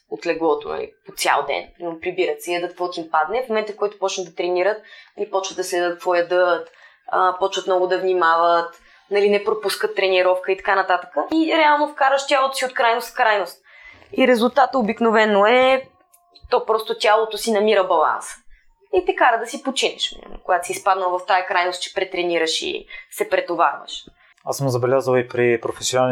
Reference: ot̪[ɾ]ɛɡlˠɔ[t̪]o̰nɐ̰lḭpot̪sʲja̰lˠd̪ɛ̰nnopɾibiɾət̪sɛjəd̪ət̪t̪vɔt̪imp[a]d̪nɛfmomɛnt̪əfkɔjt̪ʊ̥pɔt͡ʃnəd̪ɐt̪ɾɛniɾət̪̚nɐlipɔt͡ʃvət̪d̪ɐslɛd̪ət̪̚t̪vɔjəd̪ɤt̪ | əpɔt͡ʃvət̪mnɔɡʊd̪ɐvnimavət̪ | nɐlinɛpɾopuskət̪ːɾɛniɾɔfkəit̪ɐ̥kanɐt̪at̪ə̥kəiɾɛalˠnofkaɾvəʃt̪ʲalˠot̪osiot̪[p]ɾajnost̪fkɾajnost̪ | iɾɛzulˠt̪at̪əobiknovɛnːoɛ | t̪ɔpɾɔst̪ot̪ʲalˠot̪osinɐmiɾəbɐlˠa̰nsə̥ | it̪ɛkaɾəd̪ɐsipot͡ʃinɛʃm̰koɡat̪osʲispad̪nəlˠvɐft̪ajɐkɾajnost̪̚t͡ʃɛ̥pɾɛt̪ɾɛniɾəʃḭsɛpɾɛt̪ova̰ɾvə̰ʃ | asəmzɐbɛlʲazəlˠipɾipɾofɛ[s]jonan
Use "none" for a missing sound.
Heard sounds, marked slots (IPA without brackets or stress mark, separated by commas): l, t̪, a, k, s